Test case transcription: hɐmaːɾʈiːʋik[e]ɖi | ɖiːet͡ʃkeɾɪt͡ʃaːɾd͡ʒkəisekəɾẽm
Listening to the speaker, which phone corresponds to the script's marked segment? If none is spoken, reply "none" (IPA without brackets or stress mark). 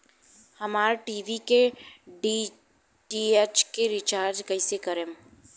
e